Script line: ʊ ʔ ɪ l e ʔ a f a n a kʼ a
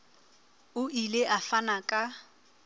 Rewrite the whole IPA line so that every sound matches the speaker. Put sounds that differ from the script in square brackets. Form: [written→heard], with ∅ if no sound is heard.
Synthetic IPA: ʊ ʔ [ɪ→i] l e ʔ a f a n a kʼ a